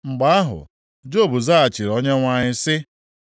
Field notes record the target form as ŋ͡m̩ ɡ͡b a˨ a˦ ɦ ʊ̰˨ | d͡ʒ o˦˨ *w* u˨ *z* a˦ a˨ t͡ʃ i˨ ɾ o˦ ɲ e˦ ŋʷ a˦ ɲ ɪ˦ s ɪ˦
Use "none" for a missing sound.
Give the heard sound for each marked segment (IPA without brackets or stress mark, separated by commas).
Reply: b, z